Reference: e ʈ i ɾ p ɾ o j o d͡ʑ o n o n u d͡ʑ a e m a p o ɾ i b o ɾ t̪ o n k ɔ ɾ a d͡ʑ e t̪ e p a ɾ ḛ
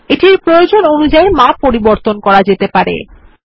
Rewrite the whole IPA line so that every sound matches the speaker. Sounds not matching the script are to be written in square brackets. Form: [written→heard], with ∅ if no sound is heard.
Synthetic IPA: e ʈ i ɾ p ɾ o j o d͡ʑ o n o n u d͡ʑ a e m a p o ɾ i b o ɾ t̪ o n k ɔ ɾ a d͡ʑ e t̪ e p a ɾ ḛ